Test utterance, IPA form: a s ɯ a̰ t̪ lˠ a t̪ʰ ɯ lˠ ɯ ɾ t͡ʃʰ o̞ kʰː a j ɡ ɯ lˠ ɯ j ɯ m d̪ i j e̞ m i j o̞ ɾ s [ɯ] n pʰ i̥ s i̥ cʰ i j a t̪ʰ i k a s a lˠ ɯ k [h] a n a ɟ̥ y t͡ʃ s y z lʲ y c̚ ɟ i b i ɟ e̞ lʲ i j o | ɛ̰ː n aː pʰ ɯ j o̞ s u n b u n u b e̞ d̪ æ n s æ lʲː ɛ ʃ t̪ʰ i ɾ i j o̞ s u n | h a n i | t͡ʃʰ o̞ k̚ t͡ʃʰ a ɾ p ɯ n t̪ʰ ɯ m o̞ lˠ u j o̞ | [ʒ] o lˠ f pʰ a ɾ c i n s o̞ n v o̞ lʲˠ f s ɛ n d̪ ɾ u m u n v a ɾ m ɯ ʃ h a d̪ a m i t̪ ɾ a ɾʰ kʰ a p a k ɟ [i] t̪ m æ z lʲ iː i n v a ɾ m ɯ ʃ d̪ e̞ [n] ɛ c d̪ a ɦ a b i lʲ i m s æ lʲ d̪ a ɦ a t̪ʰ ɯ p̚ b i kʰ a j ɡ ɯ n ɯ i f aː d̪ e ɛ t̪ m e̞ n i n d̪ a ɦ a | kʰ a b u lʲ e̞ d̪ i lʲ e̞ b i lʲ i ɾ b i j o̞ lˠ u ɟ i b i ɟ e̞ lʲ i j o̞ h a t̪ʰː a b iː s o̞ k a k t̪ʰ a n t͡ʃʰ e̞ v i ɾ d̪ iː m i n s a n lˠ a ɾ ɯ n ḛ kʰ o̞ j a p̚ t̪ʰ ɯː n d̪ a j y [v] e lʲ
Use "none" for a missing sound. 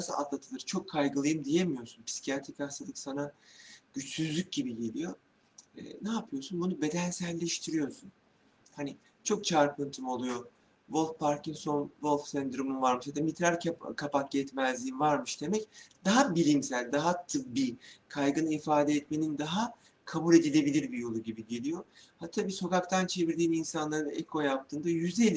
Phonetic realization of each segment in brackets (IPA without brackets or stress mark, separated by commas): u, s, v, ɛ, m, z